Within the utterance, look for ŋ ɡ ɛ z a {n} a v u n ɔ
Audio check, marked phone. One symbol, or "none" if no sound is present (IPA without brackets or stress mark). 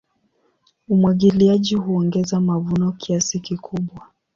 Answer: m